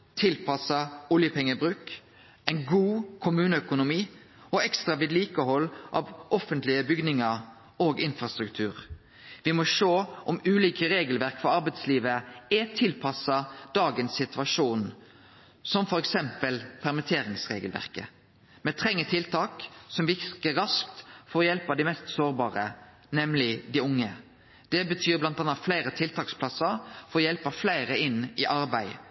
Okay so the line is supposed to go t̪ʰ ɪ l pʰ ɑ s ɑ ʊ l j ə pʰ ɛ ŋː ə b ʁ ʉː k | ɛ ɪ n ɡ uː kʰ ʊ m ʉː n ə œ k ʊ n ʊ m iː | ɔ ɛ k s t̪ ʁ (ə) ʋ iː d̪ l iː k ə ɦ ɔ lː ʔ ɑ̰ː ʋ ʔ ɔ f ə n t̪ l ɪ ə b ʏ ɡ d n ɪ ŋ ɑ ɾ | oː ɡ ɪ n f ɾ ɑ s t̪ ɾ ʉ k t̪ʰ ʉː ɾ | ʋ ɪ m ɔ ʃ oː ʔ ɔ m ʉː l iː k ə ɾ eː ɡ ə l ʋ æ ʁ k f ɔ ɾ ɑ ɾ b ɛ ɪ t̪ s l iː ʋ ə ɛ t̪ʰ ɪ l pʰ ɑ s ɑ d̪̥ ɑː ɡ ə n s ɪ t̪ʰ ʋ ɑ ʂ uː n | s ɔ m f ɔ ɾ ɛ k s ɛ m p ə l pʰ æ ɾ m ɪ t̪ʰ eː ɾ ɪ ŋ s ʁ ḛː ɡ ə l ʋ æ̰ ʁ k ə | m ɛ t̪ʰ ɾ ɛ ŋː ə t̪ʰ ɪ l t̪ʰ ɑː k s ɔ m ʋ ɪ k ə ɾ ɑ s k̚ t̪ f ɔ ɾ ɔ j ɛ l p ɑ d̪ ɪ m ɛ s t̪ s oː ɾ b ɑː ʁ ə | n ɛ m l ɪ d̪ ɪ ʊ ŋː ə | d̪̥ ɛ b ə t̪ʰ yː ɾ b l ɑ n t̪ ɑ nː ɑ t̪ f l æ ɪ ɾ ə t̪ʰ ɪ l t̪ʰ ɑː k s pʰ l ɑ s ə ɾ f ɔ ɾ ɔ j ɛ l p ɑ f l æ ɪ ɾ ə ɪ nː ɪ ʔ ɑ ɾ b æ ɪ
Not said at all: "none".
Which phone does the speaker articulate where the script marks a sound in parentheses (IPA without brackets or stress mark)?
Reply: ɑ